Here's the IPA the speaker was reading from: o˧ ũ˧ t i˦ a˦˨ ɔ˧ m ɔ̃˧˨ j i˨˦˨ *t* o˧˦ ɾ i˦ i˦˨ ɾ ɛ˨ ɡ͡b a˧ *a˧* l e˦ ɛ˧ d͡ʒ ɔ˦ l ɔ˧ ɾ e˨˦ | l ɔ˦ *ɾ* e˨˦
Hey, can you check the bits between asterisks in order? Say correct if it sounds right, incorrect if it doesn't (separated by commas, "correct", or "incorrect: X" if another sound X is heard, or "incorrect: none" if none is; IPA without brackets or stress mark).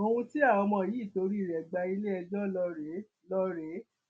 correct, incorrect: i˧, correct